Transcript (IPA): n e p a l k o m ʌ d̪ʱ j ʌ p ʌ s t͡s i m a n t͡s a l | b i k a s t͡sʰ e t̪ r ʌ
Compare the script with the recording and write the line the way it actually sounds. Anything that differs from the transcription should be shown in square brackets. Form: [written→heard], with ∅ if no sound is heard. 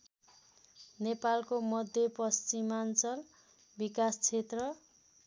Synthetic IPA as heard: n e p a l k o m ʌ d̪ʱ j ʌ p ʌ s t͡s i m a n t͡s [a→ʌ] l | b i k a s t͡sʰ e t̪ r ʌ